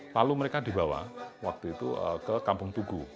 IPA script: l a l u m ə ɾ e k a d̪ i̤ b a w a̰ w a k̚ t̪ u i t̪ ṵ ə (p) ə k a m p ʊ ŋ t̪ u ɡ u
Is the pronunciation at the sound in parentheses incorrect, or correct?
incorrect